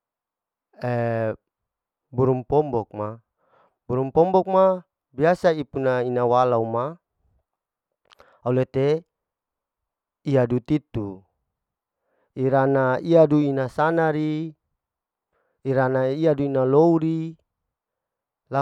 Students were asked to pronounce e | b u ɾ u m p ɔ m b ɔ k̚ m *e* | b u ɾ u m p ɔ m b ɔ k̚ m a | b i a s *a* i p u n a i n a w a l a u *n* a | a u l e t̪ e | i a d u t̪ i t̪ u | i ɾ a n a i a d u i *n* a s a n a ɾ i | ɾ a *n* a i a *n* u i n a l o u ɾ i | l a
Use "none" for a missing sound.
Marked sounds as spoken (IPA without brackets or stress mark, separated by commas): a, a, m, n, n, d